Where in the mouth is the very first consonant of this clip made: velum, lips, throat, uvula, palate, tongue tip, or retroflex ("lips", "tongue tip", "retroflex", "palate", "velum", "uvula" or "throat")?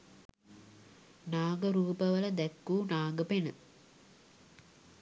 tongue tip